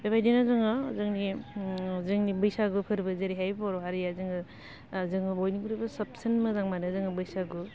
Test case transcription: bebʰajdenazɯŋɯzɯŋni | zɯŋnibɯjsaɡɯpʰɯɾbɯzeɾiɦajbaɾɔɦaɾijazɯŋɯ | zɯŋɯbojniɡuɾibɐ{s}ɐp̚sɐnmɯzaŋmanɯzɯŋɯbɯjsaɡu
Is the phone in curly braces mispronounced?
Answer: no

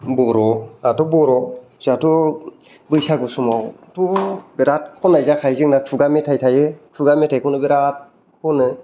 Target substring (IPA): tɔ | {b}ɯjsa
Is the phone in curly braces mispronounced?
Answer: no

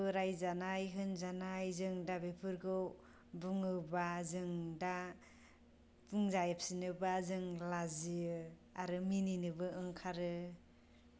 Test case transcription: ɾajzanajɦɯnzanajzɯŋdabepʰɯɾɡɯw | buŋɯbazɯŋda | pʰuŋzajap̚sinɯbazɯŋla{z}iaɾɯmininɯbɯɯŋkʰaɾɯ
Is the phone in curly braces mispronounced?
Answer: no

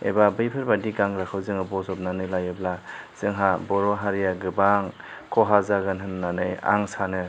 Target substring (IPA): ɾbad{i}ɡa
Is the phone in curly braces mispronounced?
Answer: no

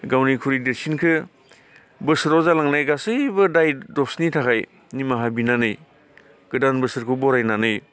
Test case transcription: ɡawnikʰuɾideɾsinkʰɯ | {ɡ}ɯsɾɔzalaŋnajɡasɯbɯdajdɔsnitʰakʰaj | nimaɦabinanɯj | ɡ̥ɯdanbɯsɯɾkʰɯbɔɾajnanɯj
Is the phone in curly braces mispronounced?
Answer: yes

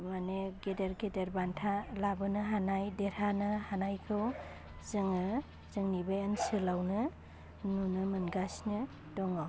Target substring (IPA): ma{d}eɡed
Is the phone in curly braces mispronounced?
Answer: yes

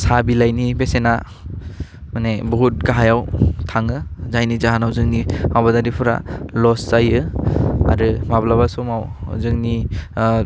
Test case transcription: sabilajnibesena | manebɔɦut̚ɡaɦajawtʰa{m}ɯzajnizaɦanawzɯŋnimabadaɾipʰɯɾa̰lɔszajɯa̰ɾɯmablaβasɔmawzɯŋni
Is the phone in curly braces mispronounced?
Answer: yes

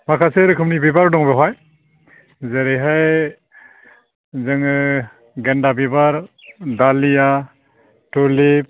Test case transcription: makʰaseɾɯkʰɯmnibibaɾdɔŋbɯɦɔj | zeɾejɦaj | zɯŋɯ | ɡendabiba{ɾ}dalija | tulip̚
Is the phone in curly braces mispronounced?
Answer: no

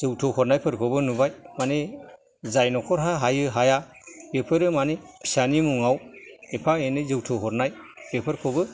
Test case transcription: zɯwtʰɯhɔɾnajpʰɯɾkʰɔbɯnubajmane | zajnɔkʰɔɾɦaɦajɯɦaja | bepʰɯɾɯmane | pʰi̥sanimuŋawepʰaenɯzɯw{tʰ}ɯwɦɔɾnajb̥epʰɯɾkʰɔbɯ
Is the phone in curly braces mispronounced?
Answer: no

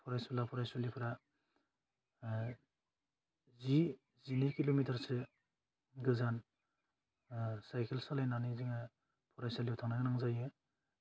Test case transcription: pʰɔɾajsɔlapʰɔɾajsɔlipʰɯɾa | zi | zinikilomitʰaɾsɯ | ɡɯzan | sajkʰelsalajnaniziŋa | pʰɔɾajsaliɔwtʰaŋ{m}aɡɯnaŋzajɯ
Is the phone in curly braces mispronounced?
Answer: yes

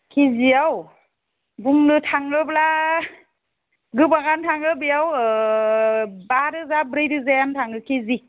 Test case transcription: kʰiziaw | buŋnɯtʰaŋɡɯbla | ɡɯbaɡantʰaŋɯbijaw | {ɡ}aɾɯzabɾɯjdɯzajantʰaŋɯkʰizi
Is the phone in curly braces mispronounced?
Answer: yes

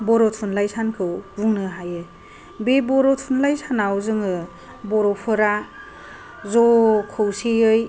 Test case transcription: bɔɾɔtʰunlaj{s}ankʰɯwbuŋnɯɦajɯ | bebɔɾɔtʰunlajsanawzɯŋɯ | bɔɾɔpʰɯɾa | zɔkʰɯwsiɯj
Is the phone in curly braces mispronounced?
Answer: no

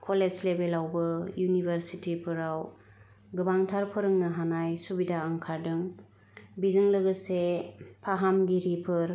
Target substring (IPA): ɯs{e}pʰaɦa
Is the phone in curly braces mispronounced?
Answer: no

